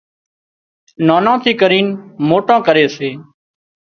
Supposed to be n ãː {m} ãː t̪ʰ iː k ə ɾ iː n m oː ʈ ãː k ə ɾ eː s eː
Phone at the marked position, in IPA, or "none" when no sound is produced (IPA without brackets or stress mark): n